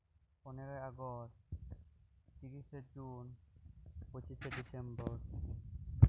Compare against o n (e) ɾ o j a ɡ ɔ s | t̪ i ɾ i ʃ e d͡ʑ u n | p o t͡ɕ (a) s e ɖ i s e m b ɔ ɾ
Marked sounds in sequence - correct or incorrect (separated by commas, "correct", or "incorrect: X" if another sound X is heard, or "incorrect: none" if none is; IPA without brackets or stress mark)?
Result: correct, incorrect: i